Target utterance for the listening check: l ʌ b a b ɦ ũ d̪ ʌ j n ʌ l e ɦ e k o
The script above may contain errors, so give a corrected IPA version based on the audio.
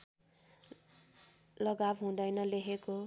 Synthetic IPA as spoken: l ʌ ɡ a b ɦ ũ d̪ ʌ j n ʌ l e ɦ e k o